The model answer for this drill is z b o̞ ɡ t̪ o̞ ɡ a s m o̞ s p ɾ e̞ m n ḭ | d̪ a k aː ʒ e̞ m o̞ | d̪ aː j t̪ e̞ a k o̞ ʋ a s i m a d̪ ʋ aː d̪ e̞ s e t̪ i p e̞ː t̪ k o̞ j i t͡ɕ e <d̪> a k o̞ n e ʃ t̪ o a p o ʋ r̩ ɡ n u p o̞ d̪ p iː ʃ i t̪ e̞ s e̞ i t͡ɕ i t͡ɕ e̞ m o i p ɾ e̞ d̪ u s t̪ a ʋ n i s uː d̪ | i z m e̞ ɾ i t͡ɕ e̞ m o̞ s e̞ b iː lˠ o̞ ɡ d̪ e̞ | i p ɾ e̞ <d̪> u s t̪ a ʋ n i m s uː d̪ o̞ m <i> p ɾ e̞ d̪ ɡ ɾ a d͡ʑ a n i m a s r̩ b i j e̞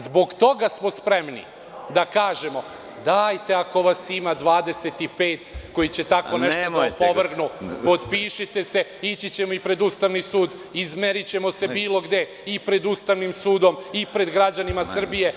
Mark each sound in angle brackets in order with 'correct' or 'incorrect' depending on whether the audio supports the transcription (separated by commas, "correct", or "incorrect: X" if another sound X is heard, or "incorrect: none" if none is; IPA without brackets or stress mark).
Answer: incorrect: t̪, correct, correct